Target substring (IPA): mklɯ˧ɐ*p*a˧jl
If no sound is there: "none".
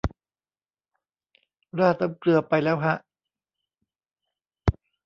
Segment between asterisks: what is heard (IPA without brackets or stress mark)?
p